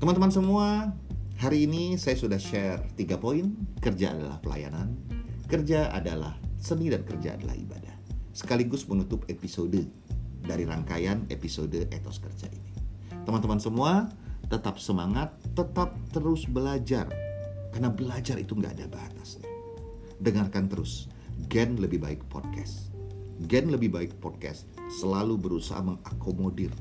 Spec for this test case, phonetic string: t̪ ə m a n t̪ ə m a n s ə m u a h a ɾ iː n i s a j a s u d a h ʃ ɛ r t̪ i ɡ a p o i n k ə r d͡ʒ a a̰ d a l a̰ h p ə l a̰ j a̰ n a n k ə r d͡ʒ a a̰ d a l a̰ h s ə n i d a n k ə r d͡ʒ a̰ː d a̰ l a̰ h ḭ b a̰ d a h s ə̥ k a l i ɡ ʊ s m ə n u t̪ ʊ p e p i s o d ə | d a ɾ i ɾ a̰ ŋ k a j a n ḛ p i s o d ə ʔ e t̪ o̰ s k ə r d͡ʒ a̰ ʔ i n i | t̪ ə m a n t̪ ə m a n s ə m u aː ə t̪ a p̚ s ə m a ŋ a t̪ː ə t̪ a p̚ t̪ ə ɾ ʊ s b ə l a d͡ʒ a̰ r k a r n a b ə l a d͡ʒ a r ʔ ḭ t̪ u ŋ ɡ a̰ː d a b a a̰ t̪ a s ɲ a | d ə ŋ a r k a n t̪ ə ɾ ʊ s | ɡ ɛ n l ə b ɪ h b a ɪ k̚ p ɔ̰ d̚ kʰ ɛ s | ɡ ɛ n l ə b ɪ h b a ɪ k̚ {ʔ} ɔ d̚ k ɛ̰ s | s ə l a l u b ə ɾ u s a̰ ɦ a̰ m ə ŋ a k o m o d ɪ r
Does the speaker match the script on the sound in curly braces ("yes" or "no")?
no